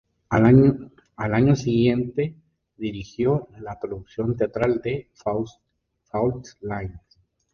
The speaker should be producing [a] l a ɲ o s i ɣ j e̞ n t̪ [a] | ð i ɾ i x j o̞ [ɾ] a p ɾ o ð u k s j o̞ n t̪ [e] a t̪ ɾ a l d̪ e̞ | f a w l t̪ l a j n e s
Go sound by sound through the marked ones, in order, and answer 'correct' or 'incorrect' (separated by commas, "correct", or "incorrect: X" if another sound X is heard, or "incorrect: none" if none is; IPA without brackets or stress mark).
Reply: correct, incorrect: e, incorrect: l, correct